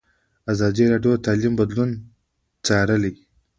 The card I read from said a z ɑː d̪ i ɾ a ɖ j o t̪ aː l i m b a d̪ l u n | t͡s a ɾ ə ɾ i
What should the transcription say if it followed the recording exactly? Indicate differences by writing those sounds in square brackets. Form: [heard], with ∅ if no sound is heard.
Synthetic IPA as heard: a z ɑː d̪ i ɾ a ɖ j o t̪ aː l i m b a d̪ l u n | t͡s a ɾ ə [l] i